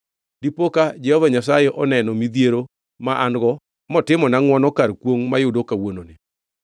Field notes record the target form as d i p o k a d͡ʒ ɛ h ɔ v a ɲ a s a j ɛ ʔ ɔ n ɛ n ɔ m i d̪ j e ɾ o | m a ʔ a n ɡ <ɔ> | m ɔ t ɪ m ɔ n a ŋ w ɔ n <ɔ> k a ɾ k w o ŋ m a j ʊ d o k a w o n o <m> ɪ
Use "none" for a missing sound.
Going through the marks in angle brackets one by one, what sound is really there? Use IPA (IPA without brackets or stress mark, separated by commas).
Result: ɔ, ɔ, n